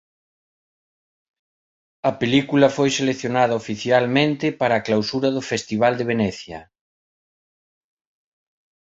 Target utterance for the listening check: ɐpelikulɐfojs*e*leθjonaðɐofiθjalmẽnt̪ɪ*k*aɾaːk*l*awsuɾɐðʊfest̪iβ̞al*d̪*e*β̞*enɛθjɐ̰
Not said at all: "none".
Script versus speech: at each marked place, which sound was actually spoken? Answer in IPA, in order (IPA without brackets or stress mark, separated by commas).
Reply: e, p, l, d̪, β̞